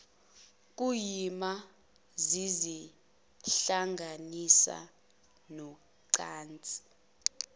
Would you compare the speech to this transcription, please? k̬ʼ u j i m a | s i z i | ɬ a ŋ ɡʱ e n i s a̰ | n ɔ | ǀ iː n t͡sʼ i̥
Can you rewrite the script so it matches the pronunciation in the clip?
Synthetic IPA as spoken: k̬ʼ u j i m a | z i z i | ɬ a ŋ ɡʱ a n i s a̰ | n ɔ | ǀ aː n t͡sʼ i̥